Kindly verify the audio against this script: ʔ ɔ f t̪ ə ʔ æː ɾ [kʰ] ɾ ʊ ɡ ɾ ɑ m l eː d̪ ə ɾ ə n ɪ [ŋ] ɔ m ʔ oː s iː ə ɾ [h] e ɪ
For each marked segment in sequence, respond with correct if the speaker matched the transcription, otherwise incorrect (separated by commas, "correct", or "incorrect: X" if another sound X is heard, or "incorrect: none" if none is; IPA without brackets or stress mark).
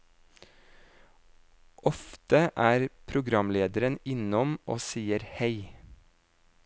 incorrect: pʰ, incorrect: n, correct